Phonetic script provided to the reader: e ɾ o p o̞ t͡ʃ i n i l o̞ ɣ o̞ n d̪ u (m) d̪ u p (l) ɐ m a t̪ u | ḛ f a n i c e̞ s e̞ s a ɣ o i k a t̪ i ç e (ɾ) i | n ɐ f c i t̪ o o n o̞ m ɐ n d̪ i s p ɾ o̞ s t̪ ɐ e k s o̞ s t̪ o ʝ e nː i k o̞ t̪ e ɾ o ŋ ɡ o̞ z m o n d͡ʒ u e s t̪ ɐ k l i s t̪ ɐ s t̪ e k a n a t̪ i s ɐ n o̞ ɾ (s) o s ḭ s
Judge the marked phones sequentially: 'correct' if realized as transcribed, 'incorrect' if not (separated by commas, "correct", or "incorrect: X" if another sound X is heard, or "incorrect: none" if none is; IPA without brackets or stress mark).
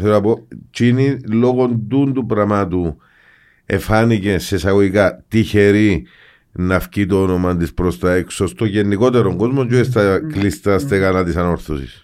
incorrect: n, incorrect: ɾ, correct, incorrect: θ